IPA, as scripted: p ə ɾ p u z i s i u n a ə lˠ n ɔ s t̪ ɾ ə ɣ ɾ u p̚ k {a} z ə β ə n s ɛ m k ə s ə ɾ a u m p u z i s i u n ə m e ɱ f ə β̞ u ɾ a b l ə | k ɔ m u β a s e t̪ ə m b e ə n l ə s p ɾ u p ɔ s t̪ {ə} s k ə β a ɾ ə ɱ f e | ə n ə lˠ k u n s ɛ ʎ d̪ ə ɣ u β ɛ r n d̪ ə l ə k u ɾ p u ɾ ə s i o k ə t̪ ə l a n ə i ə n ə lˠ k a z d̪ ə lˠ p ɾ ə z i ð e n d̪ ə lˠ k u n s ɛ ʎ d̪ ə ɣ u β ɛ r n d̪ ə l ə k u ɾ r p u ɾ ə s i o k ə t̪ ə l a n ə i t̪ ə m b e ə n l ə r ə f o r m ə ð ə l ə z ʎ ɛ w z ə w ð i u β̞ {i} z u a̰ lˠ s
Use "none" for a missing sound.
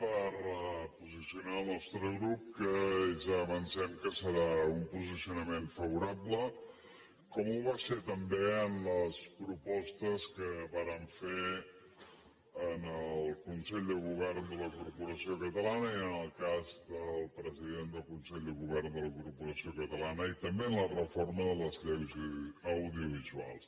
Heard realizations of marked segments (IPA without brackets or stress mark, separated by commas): ə, ə, i